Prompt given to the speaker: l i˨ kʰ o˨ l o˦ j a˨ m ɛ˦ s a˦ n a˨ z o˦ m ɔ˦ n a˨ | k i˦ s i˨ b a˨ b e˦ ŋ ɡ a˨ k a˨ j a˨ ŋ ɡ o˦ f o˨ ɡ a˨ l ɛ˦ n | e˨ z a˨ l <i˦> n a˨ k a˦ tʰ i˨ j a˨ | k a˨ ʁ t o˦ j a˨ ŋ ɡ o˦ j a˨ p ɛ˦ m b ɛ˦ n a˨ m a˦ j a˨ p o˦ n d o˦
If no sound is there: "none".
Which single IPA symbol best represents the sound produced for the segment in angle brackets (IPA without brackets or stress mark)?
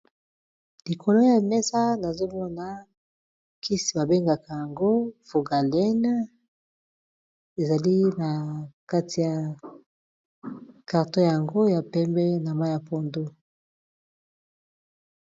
i˦